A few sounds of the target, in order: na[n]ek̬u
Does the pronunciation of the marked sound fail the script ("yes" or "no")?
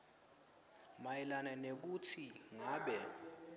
no